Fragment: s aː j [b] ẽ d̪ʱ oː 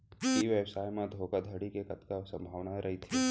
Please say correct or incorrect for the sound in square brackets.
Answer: incorrect